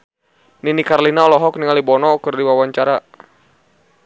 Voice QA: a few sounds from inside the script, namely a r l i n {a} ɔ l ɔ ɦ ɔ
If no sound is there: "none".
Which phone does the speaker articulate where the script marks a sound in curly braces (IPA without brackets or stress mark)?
a